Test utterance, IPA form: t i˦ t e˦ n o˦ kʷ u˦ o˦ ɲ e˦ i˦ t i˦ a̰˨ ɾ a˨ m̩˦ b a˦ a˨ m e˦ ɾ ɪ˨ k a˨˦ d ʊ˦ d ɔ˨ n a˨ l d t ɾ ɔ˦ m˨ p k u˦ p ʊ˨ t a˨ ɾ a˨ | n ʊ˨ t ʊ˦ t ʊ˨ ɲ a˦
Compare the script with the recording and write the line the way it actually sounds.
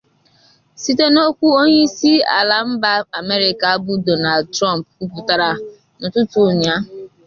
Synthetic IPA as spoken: s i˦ t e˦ n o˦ kʷ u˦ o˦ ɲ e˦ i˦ s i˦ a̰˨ l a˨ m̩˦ b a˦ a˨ m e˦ ɾ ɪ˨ k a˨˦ b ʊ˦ d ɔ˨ n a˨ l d t ɾ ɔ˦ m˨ p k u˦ p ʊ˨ t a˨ ɾ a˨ | n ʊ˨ t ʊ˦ t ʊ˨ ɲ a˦

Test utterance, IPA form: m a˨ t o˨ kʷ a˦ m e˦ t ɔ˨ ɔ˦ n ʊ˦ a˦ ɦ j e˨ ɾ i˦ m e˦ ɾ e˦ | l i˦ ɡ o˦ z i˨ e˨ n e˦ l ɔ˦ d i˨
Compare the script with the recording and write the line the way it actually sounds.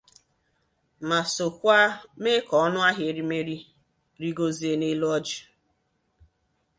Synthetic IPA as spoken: m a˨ s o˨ kʷ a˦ m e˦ k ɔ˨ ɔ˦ n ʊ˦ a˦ ɦ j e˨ ɾ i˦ m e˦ ɾ i˦ | ɾ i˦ ɡ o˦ z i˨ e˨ n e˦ l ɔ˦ d͡ʒ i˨

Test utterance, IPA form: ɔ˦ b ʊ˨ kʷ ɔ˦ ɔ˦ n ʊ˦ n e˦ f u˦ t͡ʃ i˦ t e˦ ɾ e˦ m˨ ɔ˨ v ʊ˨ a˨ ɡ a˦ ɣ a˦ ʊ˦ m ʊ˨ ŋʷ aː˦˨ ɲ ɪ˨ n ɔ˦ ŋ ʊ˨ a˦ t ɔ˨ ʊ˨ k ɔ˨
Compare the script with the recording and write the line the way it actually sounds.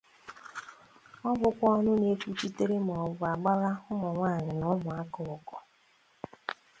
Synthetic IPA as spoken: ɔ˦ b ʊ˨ kʷ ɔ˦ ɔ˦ n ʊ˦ n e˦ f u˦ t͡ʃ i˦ t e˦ ɾ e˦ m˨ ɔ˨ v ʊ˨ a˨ ɡ͡b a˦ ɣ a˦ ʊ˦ m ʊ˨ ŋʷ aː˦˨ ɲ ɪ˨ n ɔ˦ m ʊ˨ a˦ k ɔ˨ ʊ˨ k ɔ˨

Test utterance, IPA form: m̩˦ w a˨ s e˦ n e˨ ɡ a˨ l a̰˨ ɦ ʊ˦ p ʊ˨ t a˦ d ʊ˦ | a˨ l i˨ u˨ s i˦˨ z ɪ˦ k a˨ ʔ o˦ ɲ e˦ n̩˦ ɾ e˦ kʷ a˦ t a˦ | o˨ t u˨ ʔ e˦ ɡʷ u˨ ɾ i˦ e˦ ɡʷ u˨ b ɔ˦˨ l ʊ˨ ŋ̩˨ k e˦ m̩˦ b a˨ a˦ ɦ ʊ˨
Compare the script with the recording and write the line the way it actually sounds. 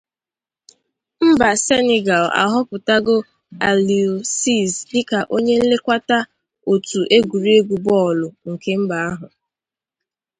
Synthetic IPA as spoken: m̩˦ b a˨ s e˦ n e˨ ɡ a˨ l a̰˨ ɦ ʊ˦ p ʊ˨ t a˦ ɡ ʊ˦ | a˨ l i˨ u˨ s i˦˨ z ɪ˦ k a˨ ʔ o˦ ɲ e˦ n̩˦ l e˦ kʷ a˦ t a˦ | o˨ t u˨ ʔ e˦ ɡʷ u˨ ɾ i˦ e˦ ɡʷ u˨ b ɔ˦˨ l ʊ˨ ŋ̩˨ k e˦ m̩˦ b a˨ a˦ ɦ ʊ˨

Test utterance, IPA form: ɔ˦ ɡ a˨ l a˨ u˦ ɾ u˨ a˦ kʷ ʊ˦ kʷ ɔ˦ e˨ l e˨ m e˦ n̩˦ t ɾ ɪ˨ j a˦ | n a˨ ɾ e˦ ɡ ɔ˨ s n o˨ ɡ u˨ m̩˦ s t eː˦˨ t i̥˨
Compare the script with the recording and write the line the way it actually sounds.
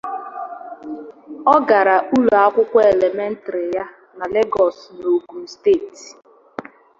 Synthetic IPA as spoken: ɔ˦ ɡ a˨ ɾ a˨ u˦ l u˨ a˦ kʷ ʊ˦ kʷ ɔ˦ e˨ l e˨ m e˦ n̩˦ t ɾ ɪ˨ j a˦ | n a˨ l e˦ ɡ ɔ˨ s n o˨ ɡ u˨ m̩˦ s t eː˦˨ t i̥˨

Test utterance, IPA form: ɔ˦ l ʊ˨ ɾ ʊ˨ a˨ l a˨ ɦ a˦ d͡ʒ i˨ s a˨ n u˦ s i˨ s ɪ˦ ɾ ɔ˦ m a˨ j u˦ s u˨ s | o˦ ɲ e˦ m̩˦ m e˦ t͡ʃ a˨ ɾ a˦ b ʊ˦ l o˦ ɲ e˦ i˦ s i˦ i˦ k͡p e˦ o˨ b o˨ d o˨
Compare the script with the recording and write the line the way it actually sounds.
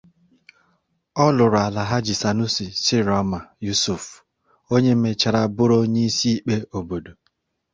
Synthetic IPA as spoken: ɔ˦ l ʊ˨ ɾ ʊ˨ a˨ l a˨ ɦ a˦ d͡ʒ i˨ s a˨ n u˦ s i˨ s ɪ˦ ɾ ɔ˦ m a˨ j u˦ s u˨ f | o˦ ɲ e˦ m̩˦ m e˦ t͡ʃ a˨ ɾ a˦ b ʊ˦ ɾ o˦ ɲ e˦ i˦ s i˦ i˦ k͡p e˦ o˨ b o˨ d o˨

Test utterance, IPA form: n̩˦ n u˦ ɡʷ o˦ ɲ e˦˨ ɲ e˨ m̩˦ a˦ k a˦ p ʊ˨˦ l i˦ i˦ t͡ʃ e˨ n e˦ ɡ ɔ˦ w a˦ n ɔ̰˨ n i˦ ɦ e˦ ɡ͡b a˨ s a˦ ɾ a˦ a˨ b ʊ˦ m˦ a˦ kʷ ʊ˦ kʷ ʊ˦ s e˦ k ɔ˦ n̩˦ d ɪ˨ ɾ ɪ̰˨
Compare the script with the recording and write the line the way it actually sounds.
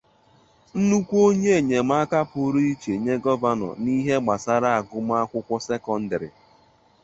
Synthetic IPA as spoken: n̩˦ n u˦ kʷ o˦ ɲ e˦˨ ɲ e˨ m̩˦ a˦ k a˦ p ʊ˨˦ ɾ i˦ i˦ t͡ʃ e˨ ɲ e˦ ɡ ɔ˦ v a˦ n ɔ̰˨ n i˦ ɦ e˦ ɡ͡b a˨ s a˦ ɾ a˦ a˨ ɡ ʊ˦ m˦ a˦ kʷ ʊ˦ kʷ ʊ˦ s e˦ k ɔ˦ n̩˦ d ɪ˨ ɾ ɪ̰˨

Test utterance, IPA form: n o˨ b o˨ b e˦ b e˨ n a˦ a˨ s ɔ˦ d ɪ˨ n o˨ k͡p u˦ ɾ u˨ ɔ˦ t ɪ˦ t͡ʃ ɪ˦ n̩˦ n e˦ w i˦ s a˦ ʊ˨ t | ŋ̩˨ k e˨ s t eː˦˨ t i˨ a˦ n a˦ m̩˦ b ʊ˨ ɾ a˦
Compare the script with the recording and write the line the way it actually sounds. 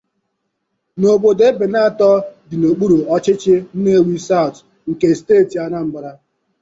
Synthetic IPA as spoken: n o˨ b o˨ d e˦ b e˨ n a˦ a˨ t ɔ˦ d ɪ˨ n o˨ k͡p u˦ ɾ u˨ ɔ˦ t͡ʃ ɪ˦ t͡ʃ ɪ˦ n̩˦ n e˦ w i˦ s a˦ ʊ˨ t | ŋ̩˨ k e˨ s t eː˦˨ t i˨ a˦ n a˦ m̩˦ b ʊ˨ ɾ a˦

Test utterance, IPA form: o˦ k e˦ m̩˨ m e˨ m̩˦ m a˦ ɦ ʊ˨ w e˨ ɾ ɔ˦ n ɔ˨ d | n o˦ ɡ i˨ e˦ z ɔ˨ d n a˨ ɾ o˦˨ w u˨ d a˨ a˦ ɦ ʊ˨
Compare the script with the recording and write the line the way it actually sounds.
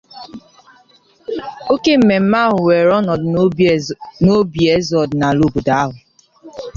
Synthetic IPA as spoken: o˦ k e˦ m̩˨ m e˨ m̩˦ m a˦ ɦ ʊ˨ w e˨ ɾ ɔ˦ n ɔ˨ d | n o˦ b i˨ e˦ z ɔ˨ d n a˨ l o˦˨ b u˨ d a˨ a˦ ɦ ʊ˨

